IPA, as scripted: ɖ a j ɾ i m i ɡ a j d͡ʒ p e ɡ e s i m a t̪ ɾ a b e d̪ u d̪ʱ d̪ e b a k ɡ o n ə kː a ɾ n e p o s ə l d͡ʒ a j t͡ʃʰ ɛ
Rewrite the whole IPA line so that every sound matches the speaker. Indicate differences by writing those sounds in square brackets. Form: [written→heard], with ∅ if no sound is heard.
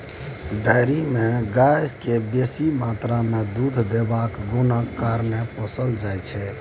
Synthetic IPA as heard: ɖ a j ɾ i m [i→e] ɡ a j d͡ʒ [p→k] e [ɡ→b] e s i m a t̪ ɾ a [b→m] e d̪ u d̪ʱ d̪ e b a k ɡ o n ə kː a ɾ n e p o s ə l d͡ʒ a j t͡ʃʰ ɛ